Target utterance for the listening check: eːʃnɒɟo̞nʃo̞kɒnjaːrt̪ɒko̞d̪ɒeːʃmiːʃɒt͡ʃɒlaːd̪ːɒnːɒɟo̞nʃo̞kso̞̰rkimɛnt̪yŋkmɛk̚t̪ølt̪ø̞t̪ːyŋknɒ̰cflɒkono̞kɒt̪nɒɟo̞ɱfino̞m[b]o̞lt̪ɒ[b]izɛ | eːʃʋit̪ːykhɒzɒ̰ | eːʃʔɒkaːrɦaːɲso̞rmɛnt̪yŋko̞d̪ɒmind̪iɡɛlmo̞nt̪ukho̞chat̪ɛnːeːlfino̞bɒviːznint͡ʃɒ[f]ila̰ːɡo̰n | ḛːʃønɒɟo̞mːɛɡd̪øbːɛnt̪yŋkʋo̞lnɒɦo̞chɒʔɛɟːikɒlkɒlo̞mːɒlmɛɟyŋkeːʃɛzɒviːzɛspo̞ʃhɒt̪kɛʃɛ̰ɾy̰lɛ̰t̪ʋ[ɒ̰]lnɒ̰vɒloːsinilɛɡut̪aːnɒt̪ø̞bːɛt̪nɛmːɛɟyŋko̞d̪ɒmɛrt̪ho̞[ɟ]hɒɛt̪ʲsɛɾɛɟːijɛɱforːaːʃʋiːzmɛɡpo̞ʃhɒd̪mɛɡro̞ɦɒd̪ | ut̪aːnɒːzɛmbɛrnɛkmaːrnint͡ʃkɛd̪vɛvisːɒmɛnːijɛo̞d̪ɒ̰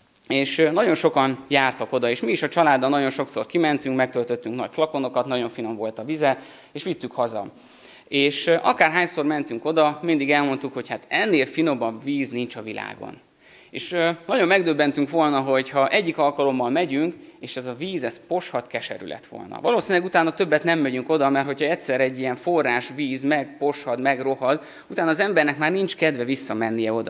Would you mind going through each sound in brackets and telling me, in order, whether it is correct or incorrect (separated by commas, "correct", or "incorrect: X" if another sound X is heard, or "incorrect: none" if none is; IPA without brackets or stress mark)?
incorrect: v, incorrect: v, incorrect: v, incorrect: o̰, incorrect: c